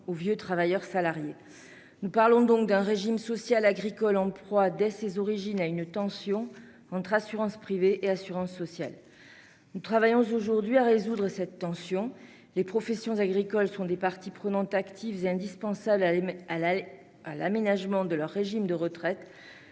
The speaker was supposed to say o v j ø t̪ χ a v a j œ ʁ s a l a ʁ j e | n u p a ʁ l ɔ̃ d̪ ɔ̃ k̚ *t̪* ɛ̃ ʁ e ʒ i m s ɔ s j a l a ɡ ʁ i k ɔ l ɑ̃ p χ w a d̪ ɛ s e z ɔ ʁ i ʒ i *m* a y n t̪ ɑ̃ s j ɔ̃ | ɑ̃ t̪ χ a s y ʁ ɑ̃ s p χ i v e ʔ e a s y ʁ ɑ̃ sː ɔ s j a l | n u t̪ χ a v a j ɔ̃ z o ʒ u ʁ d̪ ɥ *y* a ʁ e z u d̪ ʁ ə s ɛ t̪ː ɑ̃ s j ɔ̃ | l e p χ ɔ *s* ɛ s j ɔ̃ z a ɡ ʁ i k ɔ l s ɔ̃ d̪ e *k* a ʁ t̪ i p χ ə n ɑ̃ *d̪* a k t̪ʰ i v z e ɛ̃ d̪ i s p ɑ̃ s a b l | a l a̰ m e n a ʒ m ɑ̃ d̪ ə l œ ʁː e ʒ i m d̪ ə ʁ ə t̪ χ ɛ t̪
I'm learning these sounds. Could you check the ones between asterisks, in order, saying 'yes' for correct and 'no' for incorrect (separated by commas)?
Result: no, no, no, no, no, no